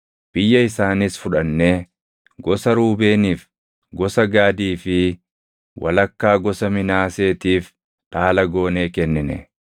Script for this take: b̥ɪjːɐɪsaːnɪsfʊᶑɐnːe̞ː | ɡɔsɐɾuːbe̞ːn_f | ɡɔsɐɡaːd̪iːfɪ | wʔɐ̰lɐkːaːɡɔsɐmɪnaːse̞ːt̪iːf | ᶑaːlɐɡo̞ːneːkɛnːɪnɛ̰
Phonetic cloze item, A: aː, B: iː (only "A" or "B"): B